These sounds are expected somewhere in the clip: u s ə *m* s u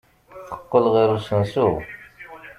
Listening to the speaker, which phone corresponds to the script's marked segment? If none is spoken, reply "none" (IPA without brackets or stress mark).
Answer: n